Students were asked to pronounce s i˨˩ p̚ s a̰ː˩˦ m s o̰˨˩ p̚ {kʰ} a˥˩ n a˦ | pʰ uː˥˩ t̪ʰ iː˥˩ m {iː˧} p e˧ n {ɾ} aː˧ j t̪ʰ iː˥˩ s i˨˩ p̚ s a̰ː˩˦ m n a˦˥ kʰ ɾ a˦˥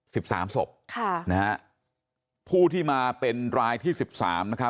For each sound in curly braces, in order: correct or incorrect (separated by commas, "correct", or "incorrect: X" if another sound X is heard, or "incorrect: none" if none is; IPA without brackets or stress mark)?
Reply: correct, incorrect: aː˧, correct